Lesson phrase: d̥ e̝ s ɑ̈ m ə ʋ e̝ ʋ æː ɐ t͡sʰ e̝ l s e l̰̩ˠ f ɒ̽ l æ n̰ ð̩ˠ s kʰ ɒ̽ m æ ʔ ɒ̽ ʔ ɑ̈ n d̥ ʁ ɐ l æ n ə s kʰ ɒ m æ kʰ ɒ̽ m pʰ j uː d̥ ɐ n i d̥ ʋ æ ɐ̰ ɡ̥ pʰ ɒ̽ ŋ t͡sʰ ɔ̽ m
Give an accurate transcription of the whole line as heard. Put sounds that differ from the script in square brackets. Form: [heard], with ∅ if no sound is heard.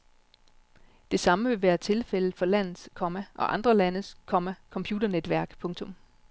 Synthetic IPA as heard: d̥ e̝ s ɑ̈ m ə ʋ e̝ ʋ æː ɐ t͡sʰ e̝ l [f] e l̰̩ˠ f ɒ̽ l æ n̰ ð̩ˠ s kʰ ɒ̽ m æ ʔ ɒ̽ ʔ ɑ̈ n d̥ ʁ ɐ l æ n ə s kʰ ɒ m æ kʰ ɒ̽ m pʰ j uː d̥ ɐ n [e] d̥ ʋ æ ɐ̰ ɡ̥ pʰ [ɔ̽] ŋ t͡sʰ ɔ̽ m